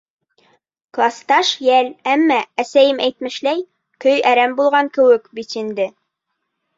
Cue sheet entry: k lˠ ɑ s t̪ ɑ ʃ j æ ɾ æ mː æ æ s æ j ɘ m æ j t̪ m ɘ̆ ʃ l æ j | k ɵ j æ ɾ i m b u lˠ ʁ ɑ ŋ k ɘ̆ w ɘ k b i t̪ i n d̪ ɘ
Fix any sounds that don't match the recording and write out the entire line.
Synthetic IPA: k lˠ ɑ s t̪ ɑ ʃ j æ l æ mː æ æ s æ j ɘ m æ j t̪ m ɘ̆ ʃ l æ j | k ɵ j æ ɾ æ m b u lˠ ʁ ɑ ŋ k ɘ̆ w ɘ k b i t̪ i n d̪ ɘ